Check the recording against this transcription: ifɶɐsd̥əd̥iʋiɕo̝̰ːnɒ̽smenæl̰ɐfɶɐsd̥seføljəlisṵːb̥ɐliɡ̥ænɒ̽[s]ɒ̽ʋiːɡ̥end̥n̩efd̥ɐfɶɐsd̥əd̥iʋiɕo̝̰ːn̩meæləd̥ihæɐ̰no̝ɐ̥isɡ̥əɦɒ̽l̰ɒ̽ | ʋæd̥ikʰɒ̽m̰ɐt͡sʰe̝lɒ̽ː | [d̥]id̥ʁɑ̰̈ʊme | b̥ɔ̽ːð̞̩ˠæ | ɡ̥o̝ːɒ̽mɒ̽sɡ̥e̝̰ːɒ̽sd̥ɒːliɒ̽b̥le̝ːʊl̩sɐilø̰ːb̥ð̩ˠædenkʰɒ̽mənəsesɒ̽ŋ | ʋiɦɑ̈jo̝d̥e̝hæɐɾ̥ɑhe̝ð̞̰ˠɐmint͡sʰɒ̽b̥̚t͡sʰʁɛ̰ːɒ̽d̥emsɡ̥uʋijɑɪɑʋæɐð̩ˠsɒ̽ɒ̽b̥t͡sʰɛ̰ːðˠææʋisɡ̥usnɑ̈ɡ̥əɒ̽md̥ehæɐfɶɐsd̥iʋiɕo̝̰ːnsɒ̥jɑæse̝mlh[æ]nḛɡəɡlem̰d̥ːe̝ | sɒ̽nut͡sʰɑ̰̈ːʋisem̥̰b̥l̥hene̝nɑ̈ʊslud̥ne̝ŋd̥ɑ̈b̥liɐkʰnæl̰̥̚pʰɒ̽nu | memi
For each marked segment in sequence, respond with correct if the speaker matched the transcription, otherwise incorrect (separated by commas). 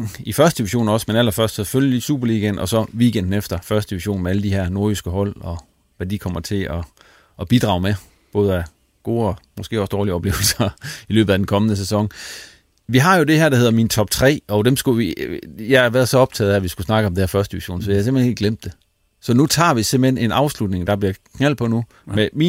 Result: correct, incorrect, incorrect